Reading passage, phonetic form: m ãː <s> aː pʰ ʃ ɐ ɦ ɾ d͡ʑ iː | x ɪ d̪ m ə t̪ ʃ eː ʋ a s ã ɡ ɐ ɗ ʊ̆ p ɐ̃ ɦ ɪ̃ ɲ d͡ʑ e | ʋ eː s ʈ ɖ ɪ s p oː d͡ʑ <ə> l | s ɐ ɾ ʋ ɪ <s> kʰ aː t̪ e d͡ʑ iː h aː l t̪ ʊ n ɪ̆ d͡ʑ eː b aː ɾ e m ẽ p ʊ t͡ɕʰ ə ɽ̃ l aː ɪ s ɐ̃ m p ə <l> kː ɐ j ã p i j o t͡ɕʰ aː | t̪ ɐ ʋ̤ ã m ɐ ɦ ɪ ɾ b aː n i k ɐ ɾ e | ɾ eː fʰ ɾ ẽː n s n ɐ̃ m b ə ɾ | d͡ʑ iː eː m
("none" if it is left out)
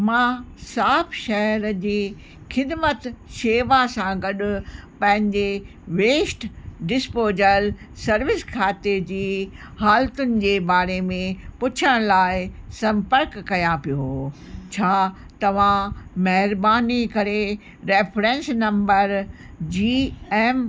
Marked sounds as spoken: s, ə, s, ɾ

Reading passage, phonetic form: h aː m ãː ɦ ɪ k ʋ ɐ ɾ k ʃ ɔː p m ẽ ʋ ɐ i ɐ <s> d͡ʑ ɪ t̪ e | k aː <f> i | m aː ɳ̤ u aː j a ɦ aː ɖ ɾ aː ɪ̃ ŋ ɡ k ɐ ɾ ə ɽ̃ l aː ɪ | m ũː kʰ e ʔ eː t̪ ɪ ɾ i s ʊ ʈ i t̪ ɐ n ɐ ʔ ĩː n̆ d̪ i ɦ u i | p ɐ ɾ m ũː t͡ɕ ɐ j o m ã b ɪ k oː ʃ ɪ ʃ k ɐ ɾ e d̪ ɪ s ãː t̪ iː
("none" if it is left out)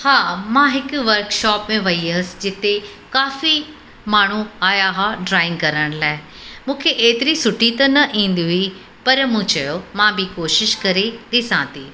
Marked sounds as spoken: s, f

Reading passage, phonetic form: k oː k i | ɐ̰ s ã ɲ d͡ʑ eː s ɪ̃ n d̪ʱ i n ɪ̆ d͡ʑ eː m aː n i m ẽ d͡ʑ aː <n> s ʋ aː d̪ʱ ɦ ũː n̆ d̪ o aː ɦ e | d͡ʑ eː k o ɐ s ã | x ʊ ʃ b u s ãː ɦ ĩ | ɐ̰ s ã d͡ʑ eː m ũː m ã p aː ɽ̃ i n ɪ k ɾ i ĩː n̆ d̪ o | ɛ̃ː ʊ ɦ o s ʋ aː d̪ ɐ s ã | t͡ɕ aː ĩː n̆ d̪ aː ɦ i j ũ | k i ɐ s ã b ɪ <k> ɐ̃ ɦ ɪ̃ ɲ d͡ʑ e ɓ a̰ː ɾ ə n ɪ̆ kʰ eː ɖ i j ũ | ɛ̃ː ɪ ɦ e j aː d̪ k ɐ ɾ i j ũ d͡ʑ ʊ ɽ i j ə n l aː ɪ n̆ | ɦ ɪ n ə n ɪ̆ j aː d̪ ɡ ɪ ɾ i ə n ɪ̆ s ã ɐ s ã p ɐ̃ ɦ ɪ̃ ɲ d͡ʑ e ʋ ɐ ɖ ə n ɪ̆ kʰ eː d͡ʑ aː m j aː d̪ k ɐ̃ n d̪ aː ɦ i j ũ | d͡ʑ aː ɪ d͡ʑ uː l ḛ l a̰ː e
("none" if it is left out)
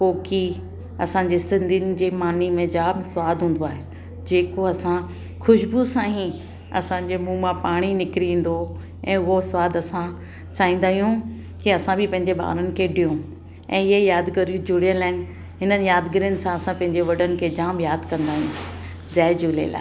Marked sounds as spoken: m, p

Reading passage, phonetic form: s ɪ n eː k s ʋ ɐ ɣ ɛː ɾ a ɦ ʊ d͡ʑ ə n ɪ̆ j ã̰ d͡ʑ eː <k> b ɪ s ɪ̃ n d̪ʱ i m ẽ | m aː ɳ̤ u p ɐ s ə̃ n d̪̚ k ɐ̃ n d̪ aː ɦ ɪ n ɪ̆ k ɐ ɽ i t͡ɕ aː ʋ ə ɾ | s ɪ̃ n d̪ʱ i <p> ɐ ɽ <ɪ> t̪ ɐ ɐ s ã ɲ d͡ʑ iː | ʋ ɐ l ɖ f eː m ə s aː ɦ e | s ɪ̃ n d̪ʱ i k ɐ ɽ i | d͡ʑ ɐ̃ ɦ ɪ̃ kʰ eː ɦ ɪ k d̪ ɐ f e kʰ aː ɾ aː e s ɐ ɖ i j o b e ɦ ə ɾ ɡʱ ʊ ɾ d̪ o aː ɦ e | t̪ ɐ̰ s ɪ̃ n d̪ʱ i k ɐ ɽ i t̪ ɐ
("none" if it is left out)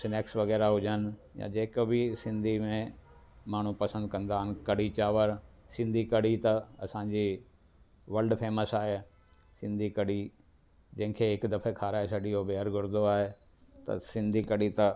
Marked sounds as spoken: k, k, i

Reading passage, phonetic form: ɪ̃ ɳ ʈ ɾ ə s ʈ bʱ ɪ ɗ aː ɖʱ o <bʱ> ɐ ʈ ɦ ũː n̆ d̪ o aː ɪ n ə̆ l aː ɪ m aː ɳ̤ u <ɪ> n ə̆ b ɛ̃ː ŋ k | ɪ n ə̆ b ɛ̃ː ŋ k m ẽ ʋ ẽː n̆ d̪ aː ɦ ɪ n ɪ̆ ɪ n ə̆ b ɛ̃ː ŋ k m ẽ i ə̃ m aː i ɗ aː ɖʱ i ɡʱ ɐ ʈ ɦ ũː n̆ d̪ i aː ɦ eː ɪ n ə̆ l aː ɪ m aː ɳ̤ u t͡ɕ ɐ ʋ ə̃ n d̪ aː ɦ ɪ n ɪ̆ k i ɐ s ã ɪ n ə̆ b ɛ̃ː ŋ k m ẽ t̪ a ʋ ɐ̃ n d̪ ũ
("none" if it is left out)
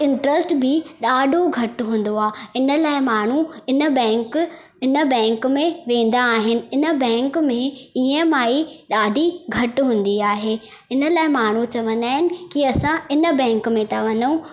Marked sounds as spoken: ɡʱ, ɪ

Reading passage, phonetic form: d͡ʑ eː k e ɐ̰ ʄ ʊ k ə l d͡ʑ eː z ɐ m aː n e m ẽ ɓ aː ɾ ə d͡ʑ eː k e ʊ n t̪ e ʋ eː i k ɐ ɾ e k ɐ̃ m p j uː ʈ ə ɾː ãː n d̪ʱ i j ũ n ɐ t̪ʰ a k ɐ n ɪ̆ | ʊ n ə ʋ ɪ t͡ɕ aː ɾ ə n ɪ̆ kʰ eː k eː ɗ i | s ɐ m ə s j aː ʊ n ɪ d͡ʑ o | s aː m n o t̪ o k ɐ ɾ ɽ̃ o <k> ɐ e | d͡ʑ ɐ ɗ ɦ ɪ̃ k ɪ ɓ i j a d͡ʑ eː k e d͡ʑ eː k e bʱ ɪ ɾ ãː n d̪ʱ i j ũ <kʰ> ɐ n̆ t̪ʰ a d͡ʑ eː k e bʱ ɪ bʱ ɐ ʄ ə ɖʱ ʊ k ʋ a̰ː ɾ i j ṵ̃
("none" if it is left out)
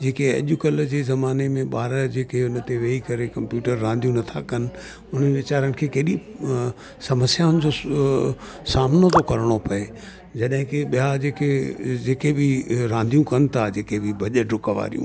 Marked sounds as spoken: p, k

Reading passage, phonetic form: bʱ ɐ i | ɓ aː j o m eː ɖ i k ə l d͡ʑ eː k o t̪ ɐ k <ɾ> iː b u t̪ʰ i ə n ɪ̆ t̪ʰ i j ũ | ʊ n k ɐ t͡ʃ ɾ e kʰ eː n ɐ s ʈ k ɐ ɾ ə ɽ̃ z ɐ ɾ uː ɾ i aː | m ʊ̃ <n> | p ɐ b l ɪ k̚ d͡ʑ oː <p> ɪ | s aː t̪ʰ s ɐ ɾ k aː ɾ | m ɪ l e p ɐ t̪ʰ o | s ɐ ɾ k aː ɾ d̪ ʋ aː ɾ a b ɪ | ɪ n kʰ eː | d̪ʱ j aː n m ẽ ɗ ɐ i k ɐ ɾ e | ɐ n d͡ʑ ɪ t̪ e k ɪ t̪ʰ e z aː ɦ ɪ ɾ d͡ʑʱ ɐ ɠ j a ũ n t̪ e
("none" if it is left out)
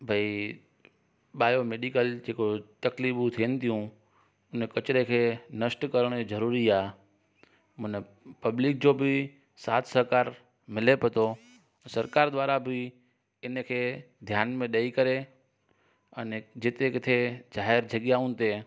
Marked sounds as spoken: l, n, b

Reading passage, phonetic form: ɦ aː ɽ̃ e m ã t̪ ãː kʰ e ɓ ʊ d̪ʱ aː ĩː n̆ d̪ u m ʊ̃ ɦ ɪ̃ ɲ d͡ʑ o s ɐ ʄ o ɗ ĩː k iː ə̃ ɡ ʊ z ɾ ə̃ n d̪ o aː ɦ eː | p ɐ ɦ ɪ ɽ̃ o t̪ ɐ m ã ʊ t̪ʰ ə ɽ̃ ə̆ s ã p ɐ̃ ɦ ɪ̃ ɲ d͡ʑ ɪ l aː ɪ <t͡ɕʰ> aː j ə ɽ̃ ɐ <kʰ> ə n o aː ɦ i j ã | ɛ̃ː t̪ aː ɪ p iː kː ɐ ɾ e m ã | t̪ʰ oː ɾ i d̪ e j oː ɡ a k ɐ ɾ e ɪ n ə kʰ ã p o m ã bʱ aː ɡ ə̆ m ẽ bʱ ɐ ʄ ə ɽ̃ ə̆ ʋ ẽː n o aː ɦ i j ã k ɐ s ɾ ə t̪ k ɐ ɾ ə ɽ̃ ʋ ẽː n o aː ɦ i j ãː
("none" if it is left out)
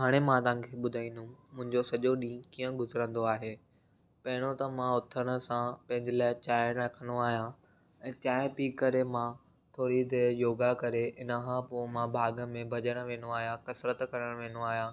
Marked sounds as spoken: t͡ɕ, kʰ

